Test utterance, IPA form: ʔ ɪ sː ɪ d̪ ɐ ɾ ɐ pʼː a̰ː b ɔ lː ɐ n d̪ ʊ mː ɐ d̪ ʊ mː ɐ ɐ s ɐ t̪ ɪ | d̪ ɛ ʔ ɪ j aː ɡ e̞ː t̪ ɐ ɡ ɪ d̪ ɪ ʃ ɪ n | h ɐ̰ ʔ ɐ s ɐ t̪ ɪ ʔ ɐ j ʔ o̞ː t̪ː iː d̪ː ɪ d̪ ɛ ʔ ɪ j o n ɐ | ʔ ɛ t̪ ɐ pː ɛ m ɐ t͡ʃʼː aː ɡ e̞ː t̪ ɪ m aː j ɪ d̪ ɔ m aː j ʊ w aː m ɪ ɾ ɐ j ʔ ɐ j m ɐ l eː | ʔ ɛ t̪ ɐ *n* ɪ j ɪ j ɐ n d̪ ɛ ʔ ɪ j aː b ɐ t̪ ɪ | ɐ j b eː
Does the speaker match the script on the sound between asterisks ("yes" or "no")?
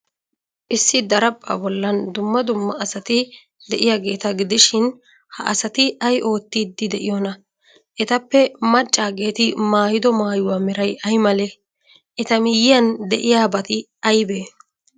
no